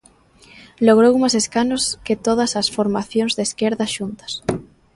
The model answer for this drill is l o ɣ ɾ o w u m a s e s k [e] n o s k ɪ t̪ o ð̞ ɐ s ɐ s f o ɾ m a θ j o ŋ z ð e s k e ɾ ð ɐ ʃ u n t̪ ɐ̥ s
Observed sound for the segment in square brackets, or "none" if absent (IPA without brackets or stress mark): a